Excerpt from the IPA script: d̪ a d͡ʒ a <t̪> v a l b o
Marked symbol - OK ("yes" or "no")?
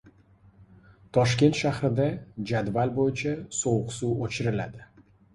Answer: no